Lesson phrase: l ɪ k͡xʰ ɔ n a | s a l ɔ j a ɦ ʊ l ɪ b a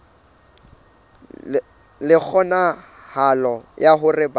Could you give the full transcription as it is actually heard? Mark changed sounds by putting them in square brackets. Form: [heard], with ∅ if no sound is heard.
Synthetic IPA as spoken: l ɪ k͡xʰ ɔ n a | [h] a l ɔ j a ɦ ʊ [r] ɪ b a